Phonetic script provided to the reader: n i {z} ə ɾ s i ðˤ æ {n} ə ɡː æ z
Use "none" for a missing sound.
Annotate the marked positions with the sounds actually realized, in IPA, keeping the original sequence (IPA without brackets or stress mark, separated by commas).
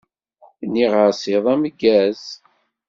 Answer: ʁ, m